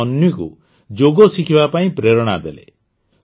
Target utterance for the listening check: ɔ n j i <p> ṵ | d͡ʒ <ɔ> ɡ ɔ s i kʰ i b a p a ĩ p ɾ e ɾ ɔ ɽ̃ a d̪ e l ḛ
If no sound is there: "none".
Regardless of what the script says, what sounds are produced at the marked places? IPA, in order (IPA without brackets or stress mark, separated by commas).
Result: k, o